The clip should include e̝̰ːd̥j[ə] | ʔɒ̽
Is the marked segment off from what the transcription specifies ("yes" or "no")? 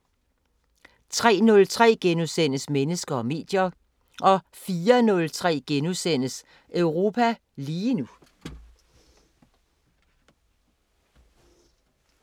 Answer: yes